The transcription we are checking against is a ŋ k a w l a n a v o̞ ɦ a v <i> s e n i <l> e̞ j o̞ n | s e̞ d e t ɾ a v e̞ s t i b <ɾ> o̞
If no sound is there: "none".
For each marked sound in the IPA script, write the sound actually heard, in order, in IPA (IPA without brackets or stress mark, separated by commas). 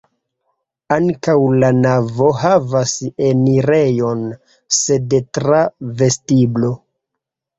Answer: a, ɾ, l